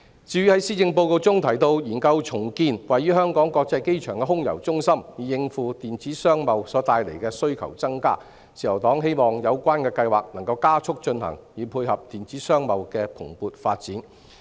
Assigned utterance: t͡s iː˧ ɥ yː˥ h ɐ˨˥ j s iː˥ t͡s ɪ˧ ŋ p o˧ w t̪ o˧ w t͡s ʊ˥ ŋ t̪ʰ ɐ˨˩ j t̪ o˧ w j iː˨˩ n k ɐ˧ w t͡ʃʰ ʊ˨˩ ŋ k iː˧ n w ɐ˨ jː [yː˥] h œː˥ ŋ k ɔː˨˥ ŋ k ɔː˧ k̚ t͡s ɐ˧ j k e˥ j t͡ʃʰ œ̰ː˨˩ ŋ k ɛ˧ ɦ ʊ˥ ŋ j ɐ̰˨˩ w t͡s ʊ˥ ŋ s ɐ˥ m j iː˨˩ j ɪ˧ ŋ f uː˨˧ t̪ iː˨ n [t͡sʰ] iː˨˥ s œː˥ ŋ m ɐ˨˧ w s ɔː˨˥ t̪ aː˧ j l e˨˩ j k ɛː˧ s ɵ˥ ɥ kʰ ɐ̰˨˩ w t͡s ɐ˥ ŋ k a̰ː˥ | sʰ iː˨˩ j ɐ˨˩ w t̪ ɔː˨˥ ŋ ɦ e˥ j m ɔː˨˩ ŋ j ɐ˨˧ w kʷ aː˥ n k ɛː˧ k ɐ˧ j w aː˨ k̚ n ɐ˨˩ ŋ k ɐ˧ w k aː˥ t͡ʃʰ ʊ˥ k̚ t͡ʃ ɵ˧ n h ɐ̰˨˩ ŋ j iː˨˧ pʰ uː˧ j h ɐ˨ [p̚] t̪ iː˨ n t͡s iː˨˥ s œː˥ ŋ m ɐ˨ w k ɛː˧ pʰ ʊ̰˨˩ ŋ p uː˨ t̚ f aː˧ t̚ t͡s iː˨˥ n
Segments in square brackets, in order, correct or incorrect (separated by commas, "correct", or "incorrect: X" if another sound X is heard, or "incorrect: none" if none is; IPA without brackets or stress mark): correct, incorrect: t͡s, correct